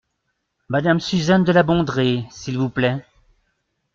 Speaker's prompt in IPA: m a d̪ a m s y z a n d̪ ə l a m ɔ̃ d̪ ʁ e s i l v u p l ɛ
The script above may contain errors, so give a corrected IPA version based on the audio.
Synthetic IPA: m a d̪ a m s y z a n d̪ ə l a b ɔ̃ d̪ ʁ e s i l v u p l ɛ